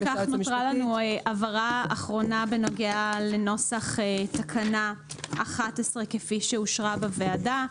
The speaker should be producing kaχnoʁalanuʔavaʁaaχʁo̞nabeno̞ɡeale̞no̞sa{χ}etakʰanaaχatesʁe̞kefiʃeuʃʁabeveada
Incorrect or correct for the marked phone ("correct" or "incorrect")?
correct